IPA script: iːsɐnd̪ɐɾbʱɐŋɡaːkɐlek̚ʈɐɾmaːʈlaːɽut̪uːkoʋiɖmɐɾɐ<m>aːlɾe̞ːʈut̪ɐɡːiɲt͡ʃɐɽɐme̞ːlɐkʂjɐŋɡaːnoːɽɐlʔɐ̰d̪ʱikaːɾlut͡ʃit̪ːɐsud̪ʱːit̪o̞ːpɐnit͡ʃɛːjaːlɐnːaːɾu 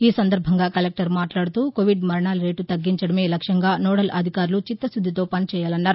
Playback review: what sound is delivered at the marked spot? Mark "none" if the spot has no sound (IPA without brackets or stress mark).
ɳ